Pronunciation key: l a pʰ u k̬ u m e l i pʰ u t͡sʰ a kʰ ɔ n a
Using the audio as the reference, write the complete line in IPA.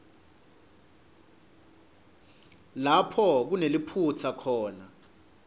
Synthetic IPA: l a pʰ ɔ k̬ u n e l i pʰ u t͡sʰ a kʰ ɔː n a